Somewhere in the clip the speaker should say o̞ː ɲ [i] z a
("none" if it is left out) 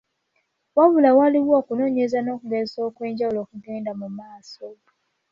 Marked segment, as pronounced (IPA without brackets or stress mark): e